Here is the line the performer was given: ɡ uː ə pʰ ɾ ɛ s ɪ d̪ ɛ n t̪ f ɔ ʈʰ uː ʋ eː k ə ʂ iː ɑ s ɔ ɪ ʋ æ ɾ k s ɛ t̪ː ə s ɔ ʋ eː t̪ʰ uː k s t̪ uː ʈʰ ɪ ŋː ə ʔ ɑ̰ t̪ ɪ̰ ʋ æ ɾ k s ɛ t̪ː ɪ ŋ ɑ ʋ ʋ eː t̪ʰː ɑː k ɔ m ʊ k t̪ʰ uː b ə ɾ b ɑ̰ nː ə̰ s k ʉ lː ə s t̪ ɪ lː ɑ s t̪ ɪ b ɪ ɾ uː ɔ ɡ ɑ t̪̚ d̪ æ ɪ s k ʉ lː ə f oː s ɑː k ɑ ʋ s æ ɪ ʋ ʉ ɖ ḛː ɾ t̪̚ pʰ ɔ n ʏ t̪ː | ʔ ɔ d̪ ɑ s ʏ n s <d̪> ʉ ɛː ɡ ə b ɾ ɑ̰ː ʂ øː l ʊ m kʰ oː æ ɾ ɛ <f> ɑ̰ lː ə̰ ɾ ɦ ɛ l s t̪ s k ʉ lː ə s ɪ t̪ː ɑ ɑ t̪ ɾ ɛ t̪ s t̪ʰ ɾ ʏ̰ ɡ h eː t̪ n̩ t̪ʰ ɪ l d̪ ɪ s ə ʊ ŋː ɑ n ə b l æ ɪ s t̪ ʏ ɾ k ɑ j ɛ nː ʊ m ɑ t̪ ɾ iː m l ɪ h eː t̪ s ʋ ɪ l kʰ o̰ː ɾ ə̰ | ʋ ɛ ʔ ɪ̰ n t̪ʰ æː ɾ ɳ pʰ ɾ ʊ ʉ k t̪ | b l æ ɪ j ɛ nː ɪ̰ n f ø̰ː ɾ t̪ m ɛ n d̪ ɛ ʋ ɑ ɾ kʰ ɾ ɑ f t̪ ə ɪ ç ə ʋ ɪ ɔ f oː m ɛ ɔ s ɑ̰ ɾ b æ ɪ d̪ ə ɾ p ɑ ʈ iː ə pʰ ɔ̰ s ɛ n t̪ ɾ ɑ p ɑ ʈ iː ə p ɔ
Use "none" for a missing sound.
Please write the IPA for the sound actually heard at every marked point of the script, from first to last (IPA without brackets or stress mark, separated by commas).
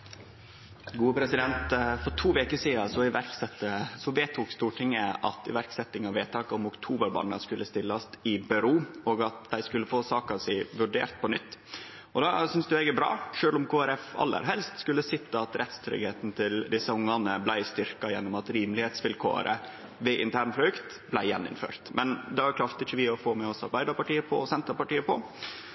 d̪, f